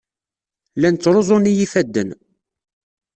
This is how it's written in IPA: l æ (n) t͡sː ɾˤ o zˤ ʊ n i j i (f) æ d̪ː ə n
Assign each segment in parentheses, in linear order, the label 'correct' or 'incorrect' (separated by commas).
correct, correct